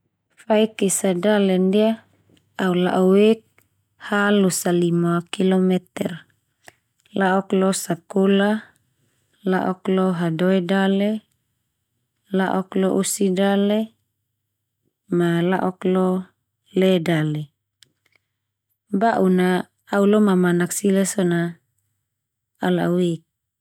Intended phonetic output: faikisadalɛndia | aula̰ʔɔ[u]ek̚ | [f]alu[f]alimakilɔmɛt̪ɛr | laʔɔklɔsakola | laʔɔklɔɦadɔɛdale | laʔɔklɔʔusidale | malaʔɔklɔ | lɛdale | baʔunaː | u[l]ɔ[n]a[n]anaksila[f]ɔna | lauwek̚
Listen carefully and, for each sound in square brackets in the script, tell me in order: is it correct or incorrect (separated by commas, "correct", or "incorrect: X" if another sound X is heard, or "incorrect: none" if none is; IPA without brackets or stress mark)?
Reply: incorrect: w, incorrect: h, incorrect: s, correct, incorrect: m, incorrect: m, incorrect: s